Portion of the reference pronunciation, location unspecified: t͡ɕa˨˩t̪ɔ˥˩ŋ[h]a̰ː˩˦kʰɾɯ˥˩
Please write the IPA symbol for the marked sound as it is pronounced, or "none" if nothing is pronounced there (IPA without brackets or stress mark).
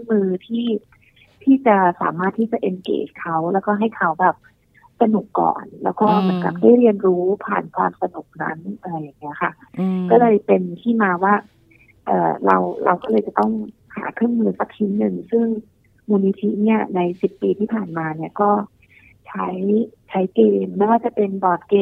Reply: h